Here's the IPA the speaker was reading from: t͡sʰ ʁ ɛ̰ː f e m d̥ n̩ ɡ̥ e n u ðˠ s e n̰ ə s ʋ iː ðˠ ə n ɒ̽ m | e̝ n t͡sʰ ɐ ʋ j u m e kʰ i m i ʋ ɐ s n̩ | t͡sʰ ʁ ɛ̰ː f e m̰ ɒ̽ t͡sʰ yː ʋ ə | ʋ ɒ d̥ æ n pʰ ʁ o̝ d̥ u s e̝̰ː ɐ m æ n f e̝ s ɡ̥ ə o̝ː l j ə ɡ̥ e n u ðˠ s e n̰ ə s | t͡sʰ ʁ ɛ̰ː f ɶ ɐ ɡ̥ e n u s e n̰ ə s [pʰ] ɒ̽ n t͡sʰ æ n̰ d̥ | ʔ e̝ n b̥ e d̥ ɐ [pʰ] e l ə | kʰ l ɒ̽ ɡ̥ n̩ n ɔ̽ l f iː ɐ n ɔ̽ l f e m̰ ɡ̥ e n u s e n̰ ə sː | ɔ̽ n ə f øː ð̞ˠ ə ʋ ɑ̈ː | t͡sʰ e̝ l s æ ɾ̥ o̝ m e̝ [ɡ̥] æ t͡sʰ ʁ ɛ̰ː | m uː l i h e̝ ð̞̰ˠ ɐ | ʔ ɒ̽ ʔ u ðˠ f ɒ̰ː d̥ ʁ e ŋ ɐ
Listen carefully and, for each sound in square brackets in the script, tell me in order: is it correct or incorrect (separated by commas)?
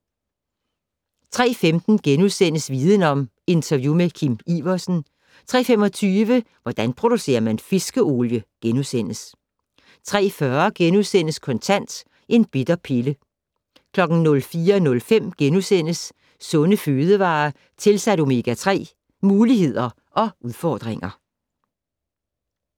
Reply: incorrect, correct, correct